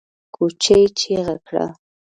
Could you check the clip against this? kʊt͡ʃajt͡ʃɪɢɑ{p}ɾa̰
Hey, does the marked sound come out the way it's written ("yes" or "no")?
no